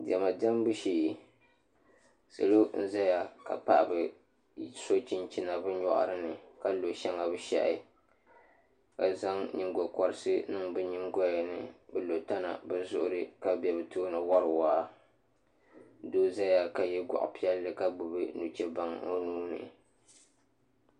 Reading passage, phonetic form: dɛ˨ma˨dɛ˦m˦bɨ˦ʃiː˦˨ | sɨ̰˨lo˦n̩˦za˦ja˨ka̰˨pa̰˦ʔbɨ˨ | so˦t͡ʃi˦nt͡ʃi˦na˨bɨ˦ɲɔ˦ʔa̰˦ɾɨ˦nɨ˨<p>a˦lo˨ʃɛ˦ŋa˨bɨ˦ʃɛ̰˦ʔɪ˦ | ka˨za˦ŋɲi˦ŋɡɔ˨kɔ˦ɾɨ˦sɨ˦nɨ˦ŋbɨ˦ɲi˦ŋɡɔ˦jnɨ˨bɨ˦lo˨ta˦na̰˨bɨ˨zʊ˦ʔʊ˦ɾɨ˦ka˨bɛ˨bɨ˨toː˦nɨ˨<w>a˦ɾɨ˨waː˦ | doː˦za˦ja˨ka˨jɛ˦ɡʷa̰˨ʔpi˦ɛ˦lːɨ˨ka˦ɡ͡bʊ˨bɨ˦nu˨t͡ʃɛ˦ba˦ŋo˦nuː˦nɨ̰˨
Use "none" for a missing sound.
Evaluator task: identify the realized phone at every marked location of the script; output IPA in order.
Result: k, w

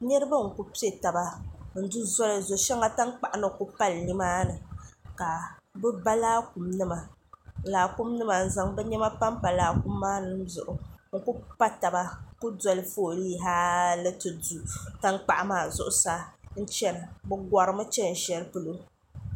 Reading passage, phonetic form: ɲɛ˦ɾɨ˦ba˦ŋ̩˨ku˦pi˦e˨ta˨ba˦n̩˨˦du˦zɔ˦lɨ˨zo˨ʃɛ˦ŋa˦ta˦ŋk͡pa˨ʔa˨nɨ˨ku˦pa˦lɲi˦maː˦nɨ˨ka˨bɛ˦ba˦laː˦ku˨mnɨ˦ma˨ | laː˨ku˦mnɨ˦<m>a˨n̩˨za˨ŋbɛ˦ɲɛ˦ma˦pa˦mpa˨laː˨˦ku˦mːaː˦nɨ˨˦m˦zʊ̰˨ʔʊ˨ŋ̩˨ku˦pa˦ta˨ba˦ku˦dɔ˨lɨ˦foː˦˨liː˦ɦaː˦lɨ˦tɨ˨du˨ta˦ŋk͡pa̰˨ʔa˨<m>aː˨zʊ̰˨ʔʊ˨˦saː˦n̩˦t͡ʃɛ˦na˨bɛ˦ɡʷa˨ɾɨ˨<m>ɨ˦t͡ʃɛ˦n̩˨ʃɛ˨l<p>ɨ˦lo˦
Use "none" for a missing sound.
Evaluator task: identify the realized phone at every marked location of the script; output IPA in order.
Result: m, m, m, p

